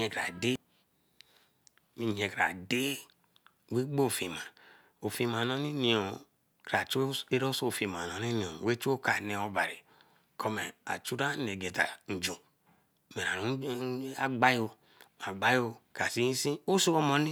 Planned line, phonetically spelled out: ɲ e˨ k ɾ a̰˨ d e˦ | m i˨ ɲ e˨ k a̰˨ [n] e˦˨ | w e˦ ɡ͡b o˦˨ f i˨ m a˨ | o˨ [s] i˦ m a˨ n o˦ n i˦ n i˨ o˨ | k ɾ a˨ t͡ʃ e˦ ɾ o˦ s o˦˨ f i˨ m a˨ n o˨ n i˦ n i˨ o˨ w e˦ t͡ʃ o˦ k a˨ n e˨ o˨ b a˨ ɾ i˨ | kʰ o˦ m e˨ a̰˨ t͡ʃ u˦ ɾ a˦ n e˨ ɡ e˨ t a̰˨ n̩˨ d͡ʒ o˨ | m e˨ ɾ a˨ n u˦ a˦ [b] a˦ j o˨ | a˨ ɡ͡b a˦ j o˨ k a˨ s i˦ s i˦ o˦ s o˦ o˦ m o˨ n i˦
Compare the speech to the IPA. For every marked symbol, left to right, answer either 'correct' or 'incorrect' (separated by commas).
incorrect, incorrect, incorrect